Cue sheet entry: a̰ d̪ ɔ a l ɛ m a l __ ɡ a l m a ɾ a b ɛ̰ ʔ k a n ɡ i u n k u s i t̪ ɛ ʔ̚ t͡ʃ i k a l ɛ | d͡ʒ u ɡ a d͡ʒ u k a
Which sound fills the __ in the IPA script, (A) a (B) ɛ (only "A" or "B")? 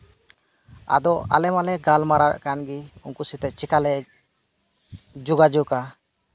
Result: B